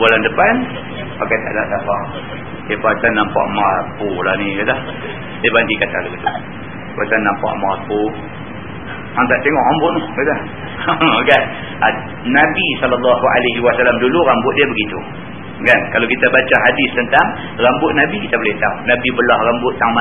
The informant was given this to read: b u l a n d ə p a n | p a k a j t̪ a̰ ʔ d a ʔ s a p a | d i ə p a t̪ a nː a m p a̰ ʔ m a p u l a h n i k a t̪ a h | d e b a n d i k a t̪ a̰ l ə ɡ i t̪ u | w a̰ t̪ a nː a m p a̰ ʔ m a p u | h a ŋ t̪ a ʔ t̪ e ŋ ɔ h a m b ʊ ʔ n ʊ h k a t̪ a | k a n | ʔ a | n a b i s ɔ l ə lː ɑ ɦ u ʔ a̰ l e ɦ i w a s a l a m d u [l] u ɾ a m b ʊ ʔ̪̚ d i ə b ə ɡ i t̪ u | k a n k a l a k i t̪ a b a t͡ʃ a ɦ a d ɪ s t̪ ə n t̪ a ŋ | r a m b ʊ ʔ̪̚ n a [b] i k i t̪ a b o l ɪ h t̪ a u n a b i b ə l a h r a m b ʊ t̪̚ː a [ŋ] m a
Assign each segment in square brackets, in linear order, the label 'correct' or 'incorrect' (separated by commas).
correct, correct, correct